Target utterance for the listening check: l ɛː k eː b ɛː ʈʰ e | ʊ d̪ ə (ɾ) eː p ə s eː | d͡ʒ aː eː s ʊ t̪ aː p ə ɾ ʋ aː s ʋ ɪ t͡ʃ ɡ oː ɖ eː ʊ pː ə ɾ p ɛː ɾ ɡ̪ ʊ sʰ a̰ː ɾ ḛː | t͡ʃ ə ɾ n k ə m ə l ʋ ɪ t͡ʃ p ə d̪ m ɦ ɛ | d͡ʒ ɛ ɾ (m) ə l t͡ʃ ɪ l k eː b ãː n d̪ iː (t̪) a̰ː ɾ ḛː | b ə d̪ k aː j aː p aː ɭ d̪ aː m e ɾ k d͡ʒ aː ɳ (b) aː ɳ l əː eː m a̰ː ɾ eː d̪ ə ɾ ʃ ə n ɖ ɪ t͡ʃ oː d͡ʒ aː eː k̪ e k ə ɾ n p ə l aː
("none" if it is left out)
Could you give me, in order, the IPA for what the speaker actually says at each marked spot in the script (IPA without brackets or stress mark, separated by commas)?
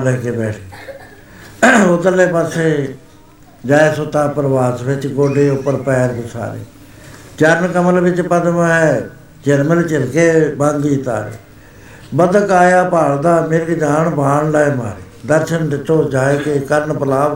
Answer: l, m, t̪, b